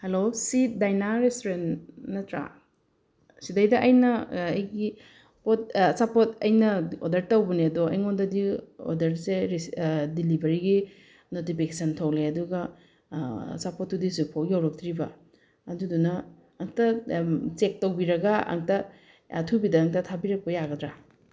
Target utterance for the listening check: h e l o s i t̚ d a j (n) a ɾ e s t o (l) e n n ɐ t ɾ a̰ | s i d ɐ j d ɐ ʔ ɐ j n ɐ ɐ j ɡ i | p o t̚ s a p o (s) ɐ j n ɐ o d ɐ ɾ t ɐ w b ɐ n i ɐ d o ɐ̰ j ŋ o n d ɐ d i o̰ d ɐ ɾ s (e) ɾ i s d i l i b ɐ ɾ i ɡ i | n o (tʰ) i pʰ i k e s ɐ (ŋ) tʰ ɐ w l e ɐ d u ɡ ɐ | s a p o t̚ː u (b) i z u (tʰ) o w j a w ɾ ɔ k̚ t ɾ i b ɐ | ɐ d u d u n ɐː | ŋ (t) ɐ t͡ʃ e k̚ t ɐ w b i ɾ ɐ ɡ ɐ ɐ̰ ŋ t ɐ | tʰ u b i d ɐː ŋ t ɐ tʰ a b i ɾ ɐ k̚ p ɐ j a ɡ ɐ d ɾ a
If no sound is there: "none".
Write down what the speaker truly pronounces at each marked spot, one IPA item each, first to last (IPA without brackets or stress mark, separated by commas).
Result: n, ɾ, t, e, t, n, d, pʰ, t